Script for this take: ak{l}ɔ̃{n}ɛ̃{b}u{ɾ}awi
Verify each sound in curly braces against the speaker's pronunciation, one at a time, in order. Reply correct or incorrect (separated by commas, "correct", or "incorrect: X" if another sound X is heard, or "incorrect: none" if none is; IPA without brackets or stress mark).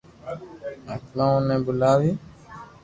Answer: correct, correct, correct, incorrect: l